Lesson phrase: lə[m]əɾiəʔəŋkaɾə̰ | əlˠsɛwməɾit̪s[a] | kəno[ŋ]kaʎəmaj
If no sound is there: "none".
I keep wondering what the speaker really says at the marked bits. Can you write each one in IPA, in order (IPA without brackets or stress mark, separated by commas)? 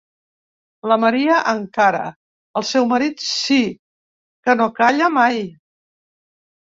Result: m, i, none